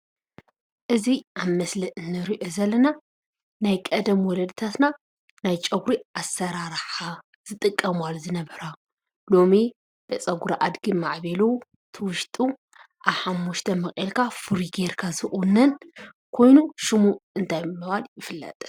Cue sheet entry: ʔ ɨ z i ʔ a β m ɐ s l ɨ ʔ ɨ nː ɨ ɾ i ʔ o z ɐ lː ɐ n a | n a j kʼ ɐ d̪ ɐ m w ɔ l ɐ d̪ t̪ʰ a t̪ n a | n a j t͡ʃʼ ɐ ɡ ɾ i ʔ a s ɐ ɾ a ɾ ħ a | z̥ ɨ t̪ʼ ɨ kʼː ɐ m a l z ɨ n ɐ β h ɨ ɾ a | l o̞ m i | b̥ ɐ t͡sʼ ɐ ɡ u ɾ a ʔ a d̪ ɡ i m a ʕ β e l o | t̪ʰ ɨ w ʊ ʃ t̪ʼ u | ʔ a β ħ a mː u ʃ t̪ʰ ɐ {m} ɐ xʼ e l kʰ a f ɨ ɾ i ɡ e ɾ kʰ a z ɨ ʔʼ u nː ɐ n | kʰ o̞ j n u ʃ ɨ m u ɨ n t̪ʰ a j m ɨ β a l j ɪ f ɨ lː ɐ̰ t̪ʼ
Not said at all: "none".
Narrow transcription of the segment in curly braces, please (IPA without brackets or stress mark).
m